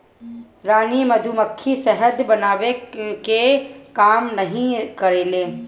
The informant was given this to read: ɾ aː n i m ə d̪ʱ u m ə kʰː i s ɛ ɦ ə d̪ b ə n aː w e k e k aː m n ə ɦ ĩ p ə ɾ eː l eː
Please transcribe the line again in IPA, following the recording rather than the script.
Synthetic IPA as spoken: ɾ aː n i m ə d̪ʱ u m ə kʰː i s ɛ ɦ ə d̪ b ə n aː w e k e k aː m n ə ɦ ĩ k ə ɾ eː l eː